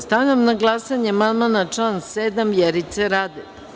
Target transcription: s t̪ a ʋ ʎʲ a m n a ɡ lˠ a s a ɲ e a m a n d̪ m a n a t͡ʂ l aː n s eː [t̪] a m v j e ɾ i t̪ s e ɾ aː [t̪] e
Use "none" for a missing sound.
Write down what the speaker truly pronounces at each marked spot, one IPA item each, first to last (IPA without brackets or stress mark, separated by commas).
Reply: d̪, d̪